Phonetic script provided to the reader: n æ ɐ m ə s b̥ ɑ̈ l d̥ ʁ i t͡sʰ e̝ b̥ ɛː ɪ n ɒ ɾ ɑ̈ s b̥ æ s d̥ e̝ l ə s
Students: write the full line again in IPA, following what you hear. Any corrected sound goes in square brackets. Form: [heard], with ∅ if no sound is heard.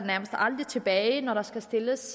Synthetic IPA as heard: n æ ɐ m ə s [d̥] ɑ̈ l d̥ ʁ i t͡sʰ e̝ b̥ ɛː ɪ n ɒ ɾ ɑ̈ s [ɡ̥] æ s d̥ e̝ l ə s